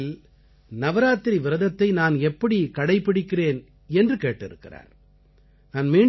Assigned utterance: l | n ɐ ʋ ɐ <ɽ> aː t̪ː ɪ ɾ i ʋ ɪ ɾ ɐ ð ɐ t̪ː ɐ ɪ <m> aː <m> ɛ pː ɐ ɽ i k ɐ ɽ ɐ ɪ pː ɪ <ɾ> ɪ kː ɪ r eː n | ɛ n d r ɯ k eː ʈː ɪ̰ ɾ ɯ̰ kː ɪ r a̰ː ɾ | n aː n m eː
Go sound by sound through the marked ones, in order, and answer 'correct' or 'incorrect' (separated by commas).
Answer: incorrect, incorrect, incorrect, incorrect